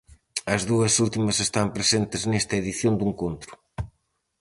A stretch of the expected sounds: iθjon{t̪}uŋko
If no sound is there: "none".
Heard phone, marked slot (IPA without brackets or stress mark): d̪